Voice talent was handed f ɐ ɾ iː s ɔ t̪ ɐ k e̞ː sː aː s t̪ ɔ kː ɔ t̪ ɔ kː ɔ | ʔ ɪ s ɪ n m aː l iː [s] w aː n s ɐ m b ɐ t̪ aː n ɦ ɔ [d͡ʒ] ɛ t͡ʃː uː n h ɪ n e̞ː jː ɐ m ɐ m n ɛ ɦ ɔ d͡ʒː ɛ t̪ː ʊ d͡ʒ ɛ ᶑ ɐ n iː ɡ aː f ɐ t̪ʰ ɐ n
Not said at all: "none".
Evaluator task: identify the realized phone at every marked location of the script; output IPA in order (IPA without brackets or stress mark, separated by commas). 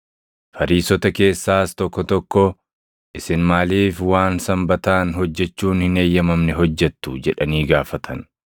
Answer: f, d͡ʒː